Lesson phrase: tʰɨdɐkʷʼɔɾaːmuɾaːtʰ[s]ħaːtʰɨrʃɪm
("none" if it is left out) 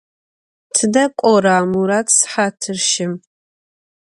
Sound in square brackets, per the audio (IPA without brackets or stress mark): s